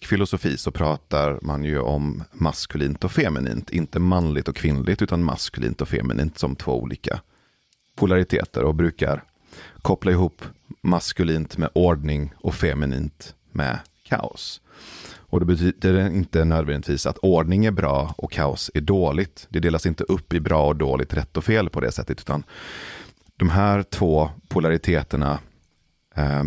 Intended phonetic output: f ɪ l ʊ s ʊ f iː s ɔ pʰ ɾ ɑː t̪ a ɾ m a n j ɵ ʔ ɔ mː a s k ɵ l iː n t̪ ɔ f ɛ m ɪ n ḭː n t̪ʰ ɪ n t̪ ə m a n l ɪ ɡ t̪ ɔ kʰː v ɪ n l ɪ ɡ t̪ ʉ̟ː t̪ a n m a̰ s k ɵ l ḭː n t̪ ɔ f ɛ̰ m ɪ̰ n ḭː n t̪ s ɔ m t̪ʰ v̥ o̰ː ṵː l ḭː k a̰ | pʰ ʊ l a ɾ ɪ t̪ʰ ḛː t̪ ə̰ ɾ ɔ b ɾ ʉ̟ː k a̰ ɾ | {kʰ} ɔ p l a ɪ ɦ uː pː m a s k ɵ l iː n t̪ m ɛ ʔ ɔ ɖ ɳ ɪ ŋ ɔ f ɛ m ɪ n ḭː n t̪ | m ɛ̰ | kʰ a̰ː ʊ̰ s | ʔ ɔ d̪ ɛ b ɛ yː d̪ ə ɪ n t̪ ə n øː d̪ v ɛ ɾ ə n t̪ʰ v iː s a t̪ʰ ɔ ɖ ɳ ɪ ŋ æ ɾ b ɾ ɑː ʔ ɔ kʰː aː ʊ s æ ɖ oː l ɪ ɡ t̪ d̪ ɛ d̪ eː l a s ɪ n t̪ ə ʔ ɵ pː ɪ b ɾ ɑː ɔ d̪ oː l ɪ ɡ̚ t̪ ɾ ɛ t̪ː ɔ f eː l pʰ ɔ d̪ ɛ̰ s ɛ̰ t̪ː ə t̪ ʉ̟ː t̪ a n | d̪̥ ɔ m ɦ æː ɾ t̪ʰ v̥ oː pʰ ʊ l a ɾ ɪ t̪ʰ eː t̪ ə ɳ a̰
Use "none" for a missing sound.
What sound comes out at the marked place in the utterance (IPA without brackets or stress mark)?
kʰ